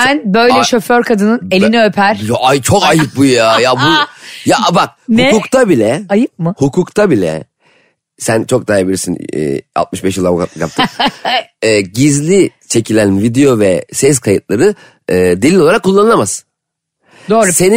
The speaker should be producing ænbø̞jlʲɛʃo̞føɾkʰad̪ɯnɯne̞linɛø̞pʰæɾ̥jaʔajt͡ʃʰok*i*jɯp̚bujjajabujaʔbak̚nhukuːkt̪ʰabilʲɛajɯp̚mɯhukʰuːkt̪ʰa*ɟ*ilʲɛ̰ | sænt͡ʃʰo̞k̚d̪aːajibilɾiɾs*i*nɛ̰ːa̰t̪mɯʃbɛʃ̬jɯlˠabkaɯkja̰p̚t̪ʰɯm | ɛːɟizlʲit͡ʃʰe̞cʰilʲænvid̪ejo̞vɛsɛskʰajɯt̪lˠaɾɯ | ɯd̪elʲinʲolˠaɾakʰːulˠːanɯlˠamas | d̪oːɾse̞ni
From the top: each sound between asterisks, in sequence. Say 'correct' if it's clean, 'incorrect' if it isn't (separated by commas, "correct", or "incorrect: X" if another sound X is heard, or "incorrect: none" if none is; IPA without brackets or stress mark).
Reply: incorrect: a, incorrect: b, correct